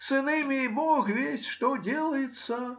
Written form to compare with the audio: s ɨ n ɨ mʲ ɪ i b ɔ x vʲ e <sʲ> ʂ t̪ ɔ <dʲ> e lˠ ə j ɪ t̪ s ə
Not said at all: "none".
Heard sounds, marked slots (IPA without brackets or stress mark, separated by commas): sʲ, dʲ